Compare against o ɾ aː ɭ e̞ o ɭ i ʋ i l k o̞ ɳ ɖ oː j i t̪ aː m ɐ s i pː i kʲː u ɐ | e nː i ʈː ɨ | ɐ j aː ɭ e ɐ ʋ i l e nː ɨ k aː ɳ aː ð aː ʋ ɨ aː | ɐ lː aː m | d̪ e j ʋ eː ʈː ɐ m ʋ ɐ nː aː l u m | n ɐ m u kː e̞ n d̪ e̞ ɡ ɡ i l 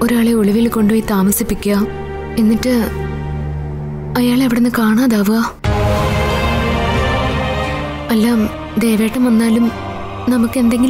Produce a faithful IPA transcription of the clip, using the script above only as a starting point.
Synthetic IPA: o ɾ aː ɭ e̞ o ɭ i ʋ i l k o̞ ɳ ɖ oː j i t̪ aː m ɐ s i pː i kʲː u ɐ | e nː i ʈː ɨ | ɐ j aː ɭ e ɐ ʋ i ɽ e nː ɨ k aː ɳ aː ð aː ʋ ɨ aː | ɐ lː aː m | d̪ e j ʋ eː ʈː ɐ m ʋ ɐ nː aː l u m | n ɐ m u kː e̞ n d̪ e̞ ŋ ɡ i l